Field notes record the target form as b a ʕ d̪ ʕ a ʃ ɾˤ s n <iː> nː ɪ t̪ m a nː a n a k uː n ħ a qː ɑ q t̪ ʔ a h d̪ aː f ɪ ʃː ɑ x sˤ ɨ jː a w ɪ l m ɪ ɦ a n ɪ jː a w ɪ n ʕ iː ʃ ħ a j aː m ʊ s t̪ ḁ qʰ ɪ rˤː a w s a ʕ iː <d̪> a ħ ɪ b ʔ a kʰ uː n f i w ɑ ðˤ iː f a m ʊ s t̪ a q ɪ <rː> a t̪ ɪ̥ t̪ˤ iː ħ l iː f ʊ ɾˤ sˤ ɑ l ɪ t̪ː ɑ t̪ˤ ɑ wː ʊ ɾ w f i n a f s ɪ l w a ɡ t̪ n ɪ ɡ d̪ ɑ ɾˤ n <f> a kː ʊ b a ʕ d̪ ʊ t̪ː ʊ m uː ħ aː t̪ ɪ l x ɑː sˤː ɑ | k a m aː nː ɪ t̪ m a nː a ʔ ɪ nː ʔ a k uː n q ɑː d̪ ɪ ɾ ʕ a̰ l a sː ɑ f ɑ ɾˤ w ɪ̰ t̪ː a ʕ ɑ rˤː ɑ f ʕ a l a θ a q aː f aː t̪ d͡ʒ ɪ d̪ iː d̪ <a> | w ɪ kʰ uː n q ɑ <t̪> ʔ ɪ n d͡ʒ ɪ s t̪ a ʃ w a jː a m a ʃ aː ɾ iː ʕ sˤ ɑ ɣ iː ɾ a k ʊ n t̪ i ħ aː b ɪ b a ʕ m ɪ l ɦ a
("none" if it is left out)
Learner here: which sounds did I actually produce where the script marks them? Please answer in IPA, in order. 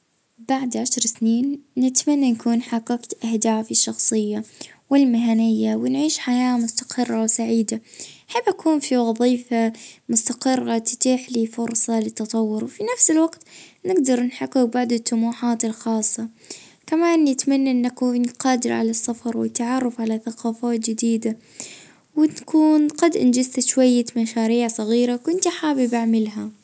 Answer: iː, d̪, rː, ħ, a, d̪

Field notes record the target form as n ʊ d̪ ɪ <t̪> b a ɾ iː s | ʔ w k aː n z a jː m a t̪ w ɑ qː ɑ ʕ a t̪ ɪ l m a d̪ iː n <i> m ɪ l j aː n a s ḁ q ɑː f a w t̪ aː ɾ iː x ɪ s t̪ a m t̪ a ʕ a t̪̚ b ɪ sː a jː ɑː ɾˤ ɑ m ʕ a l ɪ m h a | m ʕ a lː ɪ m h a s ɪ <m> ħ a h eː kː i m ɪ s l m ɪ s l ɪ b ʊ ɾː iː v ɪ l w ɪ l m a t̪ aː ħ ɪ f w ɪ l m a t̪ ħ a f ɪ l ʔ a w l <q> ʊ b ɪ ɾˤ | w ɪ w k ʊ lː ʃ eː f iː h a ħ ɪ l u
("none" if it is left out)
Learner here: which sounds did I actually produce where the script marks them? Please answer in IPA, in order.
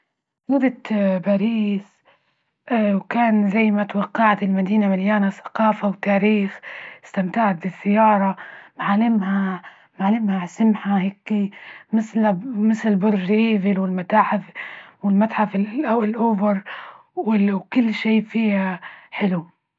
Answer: t̪, a, m, ʔ

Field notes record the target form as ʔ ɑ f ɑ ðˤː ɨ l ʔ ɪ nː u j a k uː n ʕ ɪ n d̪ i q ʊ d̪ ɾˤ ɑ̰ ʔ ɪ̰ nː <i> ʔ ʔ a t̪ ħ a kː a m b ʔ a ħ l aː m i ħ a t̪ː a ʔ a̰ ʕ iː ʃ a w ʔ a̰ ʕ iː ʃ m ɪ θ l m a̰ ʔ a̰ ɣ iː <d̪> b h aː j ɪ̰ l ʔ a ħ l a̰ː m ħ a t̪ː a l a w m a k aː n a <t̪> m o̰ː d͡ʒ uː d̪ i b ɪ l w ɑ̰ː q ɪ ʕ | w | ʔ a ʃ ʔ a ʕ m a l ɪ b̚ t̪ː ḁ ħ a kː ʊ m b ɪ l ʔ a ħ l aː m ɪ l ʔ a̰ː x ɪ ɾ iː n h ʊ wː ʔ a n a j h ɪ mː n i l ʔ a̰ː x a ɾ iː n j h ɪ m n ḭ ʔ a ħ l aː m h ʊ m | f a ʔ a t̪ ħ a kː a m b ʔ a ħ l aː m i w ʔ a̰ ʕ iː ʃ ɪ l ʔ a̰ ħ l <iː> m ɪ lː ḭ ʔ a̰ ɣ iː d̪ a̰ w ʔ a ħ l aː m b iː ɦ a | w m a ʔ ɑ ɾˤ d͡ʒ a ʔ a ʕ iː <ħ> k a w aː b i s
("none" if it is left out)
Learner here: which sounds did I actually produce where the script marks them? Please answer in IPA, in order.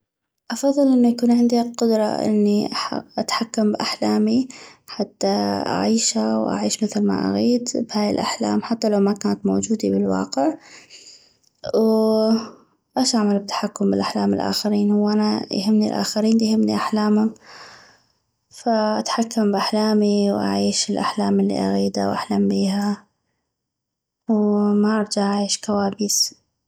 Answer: i, d̪, t̪, aː, ʃ

